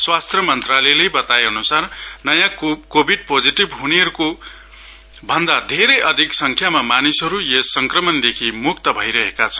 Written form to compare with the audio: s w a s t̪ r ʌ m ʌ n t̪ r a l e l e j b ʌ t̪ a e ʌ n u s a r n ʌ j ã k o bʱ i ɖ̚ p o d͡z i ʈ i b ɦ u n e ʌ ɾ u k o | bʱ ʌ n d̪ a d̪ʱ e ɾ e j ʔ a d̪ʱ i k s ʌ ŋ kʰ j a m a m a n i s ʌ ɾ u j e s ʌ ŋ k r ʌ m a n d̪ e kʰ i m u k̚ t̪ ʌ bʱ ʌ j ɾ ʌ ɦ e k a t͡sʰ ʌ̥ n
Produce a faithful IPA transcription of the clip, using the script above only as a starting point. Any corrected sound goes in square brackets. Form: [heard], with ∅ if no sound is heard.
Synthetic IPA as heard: s w a s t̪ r ʌ m ʌ n t̪ r a l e l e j b ʌ t̪ a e ʌ n u s a r n ʌ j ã k o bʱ i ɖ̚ p o d͡z i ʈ i b ɦ u n e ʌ ɾ u k o | bʱ ʌ n d̪ a d̪ʱ e ɾ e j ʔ [ʌ] d̪ʱ i k s ʌ ŋ kʰ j a m a m a n i s ʌ ɾ u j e s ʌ ŋ k r ʌ m [ʌ] n d̪ e kʰ i m u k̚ t̪ ʌ bʱ ʌ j ɾ ʌ ɦ e k a t͡sʰ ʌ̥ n